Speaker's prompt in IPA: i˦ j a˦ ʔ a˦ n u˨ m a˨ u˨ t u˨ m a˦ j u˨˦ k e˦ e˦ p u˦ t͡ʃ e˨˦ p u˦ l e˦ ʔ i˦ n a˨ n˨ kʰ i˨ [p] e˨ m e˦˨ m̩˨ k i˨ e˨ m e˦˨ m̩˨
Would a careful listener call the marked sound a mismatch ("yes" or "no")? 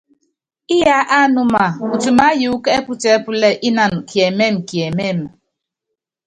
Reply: yes